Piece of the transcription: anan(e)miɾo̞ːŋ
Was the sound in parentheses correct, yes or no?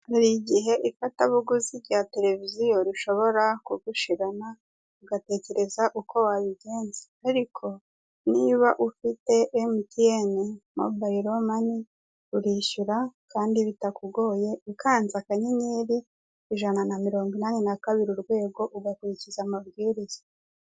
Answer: no